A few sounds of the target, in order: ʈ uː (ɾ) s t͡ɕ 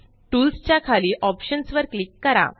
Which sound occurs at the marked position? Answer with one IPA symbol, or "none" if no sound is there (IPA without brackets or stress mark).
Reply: l